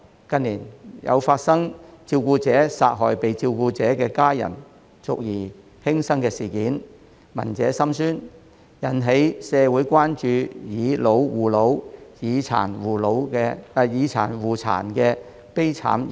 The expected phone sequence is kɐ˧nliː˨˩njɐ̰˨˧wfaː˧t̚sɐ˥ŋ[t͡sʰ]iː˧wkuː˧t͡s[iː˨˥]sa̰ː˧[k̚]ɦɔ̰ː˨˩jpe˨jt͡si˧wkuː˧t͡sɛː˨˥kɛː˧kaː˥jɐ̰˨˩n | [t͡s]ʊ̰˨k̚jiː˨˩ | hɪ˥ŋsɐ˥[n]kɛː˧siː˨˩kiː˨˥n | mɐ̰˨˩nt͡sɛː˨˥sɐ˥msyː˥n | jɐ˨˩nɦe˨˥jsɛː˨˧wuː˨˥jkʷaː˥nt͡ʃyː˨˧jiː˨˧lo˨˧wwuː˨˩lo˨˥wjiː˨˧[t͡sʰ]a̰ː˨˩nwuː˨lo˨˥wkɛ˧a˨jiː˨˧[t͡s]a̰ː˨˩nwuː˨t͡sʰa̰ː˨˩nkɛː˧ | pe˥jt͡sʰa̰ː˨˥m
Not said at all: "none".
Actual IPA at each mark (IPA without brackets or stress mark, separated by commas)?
t͡s, ɛː˨˥, t̚, t͡s, ŋ, t͡sʰ, t͡sʰ